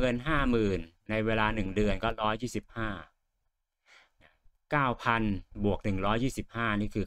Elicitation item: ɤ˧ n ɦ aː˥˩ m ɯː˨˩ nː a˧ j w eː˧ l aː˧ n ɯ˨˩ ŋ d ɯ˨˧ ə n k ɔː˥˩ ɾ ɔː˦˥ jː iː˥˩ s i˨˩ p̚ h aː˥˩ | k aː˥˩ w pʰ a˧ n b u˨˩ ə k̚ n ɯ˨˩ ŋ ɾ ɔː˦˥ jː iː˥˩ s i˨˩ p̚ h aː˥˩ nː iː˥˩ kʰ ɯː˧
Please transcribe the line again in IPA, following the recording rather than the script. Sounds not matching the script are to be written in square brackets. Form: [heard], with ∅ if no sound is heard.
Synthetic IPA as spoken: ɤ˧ n ɦ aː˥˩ m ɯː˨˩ nː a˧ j w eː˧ l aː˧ n ɯ˨˩ ŋ d ɯ˨˧ ə n k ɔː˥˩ ɾ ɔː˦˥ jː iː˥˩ s i˨˩ p̚ h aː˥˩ | k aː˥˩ w pʰ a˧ n b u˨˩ ə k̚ n ɯ˨˩ ŋ ɾ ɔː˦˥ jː iː˥˩ s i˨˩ p̚ h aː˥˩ [n] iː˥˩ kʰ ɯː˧